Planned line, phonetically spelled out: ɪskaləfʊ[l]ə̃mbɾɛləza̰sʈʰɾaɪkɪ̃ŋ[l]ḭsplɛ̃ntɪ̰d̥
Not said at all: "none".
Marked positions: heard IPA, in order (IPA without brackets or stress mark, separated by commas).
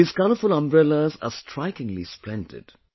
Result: l, l